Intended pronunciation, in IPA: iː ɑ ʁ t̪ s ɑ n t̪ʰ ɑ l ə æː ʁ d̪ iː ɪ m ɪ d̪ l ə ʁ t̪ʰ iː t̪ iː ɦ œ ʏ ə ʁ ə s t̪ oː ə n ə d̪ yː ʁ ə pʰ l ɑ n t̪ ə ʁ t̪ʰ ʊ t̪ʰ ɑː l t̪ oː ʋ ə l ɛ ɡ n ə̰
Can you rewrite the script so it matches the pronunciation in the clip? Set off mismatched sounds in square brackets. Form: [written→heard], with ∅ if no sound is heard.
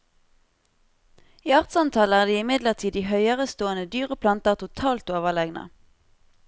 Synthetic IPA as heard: iː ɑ ʁ t̪ s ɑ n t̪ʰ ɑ l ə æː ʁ d̪ iː ɪ m ɪ d̪ l ə ʁ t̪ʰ iː [t̪→d̪] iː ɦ œ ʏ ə ʁ ə s t̪ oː ə n ə d̪ yː ʁ ə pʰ l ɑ n t̪ ə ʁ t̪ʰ ʊ t̪ʰ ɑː l t̪ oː ʋ ə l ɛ ɡ n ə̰